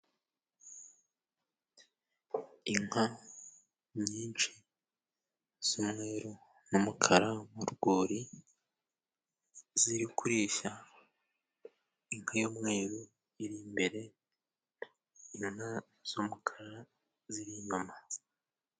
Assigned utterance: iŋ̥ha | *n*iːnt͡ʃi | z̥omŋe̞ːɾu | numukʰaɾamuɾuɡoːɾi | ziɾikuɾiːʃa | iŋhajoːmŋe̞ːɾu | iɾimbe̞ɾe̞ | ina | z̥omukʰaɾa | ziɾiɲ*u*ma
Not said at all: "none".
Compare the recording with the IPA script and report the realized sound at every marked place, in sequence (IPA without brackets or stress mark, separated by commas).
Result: ɲ, o